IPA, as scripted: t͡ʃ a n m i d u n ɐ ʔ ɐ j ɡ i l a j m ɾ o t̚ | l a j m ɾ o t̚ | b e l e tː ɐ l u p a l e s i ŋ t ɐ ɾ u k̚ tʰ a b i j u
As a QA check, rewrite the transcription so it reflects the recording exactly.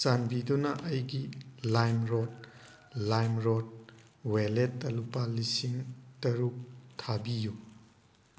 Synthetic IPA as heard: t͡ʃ a n b i d u n ɐ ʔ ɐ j ɡ i l a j m ɾ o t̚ | l a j m ɾ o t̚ | w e l e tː ɐ l u p a l i s i ŋ t ɐ ɾ u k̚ tʰ a b i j u